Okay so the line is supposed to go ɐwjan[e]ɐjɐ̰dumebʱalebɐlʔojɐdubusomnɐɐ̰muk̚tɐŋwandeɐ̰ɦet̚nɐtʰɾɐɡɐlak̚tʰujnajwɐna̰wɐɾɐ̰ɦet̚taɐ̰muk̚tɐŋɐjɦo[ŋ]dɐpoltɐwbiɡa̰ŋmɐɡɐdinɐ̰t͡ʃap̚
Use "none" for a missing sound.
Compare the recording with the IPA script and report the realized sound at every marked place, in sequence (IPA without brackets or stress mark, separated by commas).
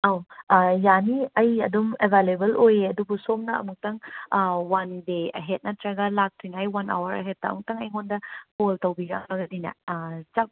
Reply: i, n